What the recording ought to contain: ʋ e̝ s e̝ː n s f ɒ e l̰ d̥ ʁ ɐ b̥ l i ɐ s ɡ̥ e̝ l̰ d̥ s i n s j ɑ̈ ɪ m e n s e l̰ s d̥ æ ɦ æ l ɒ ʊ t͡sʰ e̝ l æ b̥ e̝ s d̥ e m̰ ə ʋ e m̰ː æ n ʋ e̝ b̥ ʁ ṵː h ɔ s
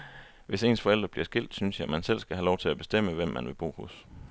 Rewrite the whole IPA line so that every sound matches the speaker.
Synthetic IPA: ʋ e̝ s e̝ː n s f ɒ e l̰ d̥ ʁ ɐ b̥ l i ɐ s ɡ̥ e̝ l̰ d̥ s y n s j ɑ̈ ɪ m æ n s e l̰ s ɡ̥ æ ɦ æ l ɒ ʊ t͡sʰ e̝ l æ b̥ e̝ s d̥ e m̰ ə ʋ e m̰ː æ n ʋ e̝ b̥ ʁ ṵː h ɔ s